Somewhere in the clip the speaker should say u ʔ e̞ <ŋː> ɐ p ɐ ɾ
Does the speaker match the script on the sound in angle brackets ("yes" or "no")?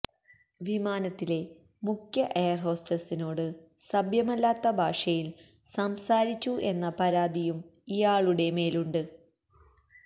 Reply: no